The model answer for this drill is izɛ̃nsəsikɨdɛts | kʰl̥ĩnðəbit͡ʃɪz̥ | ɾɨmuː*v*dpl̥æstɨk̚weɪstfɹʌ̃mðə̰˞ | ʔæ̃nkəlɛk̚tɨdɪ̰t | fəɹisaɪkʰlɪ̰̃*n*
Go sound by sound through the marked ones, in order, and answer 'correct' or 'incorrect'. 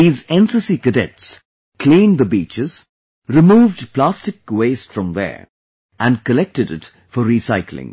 correct, incorrect: ŋ

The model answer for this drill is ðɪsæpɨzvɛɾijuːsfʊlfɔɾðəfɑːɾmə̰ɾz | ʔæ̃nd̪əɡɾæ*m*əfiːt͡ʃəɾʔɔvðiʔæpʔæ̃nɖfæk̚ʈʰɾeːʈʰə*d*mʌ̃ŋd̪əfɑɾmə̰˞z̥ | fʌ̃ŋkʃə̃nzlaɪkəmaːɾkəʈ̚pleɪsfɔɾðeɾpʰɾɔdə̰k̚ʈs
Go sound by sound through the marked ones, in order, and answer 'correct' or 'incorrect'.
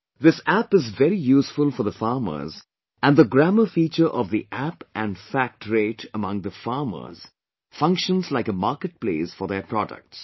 correct, incorrect: none

